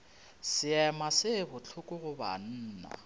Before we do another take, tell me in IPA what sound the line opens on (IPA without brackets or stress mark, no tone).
s